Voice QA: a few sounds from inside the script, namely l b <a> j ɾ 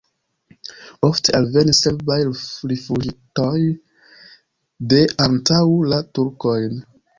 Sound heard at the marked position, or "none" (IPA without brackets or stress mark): a